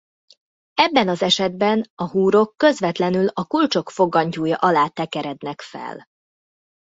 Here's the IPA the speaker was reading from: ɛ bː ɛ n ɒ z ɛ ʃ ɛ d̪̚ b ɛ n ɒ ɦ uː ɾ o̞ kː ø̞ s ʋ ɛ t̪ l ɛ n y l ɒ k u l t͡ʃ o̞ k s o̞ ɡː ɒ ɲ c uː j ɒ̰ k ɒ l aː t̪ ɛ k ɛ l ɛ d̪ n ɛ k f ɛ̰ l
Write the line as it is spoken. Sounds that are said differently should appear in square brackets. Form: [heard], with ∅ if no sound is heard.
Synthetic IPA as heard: ɛ bː ɛ n ɒ z ɛ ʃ ɛ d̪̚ b ɛ n ɒ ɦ uː ɾ o̞ kː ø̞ [z] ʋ ɛ t̪ l ɛ n y l ɒ k u l t͡ʃ o̞ k [f] o̞ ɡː ɒ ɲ c uː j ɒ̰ [ʔ] ɒ l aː t̪ ɛ k ɛ [ɾ] ɛ d̪ n ɛ k f ɛ̰ l